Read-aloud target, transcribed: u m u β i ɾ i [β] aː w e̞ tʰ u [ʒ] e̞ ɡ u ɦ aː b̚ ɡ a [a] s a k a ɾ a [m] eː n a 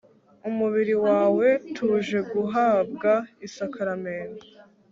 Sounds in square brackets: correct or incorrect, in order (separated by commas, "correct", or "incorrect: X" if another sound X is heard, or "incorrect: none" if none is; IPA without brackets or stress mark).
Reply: incorrect: w, correct, incorrect: i, correct